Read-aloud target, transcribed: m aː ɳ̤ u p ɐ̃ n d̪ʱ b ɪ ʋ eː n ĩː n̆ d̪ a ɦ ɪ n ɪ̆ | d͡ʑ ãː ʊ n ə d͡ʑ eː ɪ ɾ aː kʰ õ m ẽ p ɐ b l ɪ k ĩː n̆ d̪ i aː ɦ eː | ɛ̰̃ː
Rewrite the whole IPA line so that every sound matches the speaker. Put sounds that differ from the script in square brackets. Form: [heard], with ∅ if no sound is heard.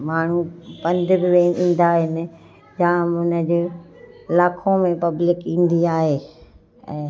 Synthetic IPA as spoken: m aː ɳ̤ u p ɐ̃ n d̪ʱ b ɪ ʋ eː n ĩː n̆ d̪ a ɦ ɪ n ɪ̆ | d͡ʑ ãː ʊ n ə d͡ʑ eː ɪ [l] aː kʰ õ m ẽ p ɐ b l ɪ k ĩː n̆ d̪ i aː ɦ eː | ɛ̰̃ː